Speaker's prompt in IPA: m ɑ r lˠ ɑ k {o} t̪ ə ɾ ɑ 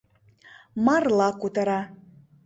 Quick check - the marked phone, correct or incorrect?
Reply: incorrect